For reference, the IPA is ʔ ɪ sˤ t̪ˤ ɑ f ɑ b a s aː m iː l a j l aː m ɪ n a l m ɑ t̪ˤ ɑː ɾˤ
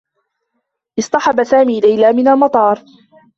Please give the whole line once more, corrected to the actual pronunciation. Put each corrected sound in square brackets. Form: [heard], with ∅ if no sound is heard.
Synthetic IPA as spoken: ʔ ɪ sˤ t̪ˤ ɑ [ħ] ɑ b a s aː m iː l a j l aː m ɪ n a l m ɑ t̪ˤ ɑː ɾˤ